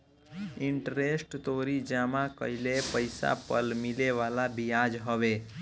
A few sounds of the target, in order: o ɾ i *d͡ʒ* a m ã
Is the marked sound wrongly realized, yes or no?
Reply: no